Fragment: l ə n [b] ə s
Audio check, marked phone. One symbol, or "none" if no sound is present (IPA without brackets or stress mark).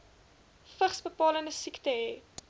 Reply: d